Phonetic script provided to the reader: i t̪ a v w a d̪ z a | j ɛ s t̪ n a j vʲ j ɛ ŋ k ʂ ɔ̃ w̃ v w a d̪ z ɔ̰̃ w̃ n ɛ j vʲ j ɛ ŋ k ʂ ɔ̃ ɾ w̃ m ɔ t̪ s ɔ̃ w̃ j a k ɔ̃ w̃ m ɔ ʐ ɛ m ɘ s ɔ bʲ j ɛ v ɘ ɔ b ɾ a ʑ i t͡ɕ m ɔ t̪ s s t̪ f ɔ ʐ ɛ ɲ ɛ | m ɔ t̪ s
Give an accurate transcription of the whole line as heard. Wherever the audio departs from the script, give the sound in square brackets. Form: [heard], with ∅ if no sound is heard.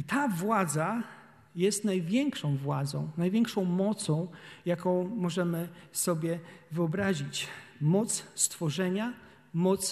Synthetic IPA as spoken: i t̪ a v w a d̪ z a | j ɛ s t̪ n a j vʲ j ɛ ŋ k ʂ ɔ̃ w̃ v w a d̪ z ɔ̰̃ w̃ n [a] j vʲ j ɛ ŋ k ʂ ɔ̃ [∅] w̃ m ɔ t̪ s ɔ̃ w̃ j a k ɔ̃ w̃ m ɔ ʐ ɛ m ɘ s ɔ bʲ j ɛ v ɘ ɔ b ɾ a ʑ i t͡ɕ m ɔ t̪ s s t̪ f ɔ ʐ ɛ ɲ [a] | m ɔ t̪ s